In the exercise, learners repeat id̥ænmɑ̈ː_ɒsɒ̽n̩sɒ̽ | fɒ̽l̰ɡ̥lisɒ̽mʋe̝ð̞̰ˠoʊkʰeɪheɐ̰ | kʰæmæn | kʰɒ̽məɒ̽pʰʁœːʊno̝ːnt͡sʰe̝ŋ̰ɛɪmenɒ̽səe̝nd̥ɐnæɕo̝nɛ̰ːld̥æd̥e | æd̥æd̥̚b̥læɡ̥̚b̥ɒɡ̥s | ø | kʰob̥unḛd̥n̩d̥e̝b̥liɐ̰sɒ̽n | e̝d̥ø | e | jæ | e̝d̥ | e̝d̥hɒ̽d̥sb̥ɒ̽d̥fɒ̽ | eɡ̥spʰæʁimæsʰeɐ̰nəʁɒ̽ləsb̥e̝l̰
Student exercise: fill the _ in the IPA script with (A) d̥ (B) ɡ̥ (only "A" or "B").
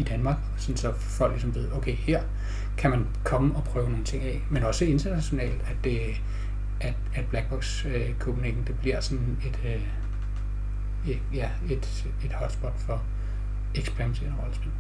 B